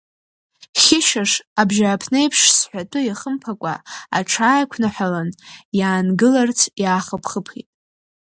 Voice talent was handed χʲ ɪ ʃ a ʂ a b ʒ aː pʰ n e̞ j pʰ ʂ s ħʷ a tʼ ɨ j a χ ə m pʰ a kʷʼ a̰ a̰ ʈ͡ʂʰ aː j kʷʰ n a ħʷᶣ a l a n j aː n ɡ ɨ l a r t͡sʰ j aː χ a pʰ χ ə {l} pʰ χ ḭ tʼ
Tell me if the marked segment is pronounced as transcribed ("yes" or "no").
no